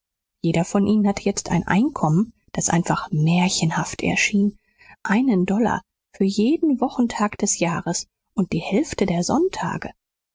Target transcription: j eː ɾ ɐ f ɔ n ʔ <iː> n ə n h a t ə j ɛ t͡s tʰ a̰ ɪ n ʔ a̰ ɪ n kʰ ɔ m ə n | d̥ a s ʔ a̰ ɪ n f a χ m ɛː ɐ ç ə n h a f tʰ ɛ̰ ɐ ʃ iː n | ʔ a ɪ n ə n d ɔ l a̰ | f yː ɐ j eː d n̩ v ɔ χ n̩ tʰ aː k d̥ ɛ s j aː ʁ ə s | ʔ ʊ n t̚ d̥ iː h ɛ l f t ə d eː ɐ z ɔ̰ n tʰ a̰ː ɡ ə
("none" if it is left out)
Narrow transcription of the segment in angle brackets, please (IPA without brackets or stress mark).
iː